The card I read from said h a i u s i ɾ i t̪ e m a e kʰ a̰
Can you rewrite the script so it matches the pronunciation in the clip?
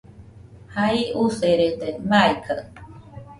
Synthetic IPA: h a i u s e ɾ e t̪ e m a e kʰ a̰

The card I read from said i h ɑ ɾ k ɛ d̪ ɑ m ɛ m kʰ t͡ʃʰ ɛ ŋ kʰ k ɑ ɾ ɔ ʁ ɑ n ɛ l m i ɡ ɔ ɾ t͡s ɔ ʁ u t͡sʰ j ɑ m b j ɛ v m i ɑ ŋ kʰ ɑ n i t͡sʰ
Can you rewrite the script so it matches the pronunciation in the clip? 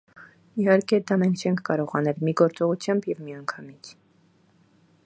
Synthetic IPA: i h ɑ ɾ k ɛ d̪ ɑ m ɛ ŋ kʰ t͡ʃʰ ɛ ŋ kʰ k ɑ ɾ ɔ ʁ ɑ n ɛ l m i ɡ ɔ ɾ t͡s ɔ ʁ u t͡sʰ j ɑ m b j ɛ v m i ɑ ŋ kʰ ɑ m i t͡sʰ

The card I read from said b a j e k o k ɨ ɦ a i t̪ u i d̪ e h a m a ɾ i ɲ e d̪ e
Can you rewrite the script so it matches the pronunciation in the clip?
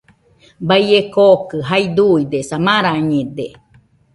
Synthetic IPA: b a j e k o k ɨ ɦ a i d̪ u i d̪ e s a m a ɾ a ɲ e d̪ e

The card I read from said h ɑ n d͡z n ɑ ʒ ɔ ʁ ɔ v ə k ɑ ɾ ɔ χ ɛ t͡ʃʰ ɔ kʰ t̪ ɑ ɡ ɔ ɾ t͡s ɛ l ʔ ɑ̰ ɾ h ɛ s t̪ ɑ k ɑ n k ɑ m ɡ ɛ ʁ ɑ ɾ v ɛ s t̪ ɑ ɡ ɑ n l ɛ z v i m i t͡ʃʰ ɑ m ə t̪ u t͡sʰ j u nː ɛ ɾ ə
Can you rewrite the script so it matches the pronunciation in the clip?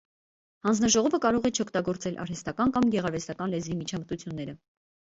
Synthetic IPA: h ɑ n d͡z n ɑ ʒ ɔ ʁ ɔ v ə k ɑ ɾ ɔ ʁ ɛ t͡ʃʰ ɔ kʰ t̪ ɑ ɡ ɔ ɾ t͡s ɛ l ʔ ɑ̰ ɾ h ɛ s t̪ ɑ k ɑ n k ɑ m ɡ ɛ ʁ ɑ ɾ v ɛ s t̪ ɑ k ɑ n l ɛ z v i m i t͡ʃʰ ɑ m ə t̪ u t͡sʰ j u nː ɛ ɾ ə

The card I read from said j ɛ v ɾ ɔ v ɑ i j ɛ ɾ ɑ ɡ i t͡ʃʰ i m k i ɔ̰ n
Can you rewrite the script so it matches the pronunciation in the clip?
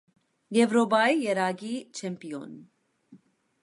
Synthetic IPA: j ɛ v ɾ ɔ b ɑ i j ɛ ɾ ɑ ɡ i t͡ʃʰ ɛ m p i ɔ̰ n

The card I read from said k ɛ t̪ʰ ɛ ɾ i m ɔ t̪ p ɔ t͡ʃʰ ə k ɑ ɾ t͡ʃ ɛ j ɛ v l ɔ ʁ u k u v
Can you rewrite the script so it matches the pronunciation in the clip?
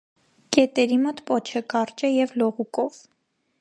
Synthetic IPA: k ɛ t̪ ɛ ɾ i m ɔ t̪ p ɔ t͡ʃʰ ə k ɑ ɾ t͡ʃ ɛ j ɛ v l ɔ ʁ u k ɔ v

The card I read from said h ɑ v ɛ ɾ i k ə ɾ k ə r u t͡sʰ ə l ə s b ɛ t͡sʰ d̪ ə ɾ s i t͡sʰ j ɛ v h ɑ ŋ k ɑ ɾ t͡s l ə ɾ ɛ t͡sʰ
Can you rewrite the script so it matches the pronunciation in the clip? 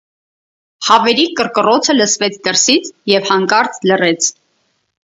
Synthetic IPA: h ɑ v ɛ ɾ i k ə ɾ k ə r ɔ t͡sʰ ə l ə s v ɛ t͡sʰ d̪ ə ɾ s i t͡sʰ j ɛ v h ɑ ŋ k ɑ ɾ t͡s l ə r ɛ t͡sʰ

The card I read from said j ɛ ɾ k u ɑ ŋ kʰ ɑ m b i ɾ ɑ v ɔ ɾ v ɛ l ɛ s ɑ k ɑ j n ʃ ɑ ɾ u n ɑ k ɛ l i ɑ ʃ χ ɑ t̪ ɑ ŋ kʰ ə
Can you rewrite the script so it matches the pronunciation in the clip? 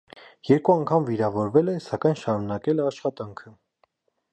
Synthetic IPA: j ɛ ɾ k u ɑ ŋ kʰ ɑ m v i ɾ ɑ v ɔ ɾ v ɛ l ɛ s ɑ k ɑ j n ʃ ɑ ɾ u n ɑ k ɛ l ɛ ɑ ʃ χ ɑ t̪ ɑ ŋ kʰ ə

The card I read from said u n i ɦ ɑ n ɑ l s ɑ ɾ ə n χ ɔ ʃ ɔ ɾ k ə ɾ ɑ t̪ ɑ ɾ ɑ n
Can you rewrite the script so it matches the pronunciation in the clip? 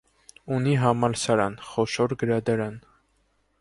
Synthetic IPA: u n i ɦ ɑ m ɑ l s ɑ ɾ ɑ n χ ɔ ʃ ɔ ɾ ɡ ə ɾ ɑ d̪ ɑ ɾ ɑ n

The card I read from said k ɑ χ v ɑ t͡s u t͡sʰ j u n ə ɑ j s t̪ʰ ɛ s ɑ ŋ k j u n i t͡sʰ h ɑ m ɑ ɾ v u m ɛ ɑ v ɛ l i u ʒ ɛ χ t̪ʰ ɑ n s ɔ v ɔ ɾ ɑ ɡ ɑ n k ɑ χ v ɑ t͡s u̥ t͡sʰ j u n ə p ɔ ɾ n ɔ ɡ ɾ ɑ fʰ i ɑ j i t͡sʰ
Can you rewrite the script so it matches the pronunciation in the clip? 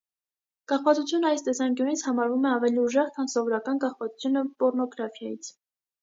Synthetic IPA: k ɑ χ v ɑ t͡s u t͡sʰ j u n ə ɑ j s t̪ ɛ s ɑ ŋ k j u n i t͡sʰ h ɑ m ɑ ɾ v u m ɛ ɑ v ɛ l i u ʒ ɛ χ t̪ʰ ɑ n s ɔ v ɔ ɾ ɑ k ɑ n k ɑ χ v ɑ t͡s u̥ t͡sʰ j u n ə p ɔ ɾ n ɔ ɡ ɾ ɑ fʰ j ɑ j i t͡sʰ

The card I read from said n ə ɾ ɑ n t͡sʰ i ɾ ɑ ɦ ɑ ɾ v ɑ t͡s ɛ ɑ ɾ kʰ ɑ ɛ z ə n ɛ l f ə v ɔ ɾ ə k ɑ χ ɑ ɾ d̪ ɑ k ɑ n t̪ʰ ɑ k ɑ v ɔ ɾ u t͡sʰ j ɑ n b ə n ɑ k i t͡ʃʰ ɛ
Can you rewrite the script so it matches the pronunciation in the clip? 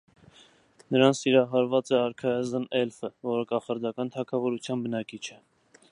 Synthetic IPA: n ə ɾ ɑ n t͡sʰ i ɾ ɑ ɦ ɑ ɾ v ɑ t͡s ɛ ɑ ɾ kʰ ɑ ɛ z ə n ɛ l f ə v ɔ ɾ ə k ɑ χ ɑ ɾ d̪ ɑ k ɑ n t̪ʰ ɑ kʰ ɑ v ɔ ɾ u t͡sʰ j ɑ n b ə n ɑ k i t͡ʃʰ ɛ

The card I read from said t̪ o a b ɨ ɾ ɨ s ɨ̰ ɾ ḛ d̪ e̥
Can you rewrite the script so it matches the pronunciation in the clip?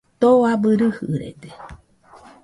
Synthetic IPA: t̪ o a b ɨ ɾ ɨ h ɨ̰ ɾ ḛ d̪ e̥

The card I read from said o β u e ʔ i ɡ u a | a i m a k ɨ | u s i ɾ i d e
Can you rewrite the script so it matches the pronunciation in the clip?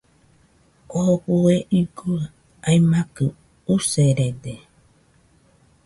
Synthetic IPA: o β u e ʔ i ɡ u a | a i m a k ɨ | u s e ɾ e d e

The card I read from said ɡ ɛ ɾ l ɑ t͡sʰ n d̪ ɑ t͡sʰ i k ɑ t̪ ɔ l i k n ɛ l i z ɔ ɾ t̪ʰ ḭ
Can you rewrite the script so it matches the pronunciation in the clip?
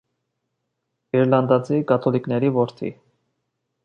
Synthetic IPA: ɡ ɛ ɾ l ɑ n d̪ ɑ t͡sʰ i k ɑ t̪ʰ ɔ l i k n ɛ ɾ i v ɔ ɾ t̪ʰ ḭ

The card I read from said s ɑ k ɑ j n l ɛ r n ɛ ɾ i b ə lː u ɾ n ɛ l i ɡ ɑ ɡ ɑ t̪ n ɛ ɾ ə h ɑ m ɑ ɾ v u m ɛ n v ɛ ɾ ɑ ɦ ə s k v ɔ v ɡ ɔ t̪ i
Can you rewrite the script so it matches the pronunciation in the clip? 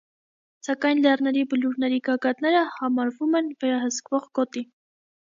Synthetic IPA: s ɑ k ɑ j n l ɛ r n ɛ ɾ i b ə l u ɾ n ɛ ɾ i ɡ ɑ ɡ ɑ t̪ n ɛ ɾ ə h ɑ m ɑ ɾ v u m ɛ n v ɛ ɾ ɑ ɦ ə s k v ɔ ʁ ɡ ɔ t̪ i

